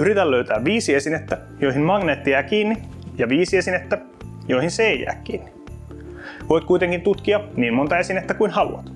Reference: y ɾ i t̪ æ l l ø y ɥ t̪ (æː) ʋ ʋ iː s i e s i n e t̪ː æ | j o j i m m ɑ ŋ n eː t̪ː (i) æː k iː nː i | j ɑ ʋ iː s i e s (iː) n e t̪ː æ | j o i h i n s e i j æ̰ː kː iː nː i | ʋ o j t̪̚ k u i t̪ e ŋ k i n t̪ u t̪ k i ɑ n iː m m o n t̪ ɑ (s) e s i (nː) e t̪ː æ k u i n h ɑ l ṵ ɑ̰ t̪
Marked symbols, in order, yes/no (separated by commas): yes, yes, no, no, no